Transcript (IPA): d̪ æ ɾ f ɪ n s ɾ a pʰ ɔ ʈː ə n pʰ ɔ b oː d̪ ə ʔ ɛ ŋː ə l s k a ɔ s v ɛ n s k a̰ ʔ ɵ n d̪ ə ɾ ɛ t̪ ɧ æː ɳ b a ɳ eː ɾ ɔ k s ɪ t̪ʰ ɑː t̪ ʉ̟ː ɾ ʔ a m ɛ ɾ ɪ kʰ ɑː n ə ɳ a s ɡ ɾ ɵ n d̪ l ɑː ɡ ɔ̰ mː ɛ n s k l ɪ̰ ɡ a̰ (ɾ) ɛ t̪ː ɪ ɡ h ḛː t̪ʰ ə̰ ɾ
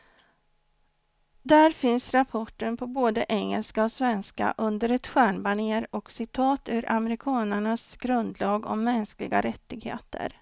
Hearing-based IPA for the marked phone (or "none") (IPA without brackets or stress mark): ɾ